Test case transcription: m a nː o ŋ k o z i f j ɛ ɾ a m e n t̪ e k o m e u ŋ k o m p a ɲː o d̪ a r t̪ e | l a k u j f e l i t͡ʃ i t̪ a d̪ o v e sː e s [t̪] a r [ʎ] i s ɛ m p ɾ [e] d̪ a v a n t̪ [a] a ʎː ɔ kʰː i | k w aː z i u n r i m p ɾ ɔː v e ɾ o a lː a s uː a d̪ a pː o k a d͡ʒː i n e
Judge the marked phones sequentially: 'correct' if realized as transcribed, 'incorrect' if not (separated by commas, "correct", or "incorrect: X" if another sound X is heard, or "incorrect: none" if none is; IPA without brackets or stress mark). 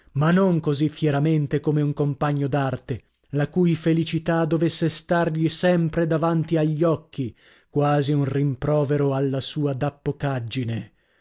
correct, correct, correct, incorrect: i